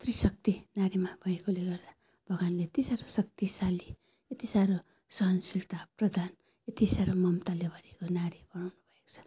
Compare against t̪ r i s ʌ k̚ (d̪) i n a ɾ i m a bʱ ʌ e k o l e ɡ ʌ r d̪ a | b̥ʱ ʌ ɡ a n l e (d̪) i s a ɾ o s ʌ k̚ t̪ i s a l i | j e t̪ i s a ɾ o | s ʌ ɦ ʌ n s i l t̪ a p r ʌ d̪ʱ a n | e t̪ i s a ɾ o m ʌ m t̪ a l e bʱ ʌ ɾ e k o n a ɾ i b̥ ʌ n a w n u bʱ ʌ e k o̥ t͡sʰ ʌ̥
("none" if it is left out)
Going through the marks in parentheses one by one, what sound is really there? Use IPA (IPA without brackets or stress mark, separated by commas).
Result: t̪, t̪